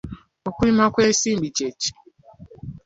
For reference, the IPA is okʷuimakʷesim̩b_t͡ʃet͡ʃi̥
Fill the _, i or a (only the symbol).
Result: i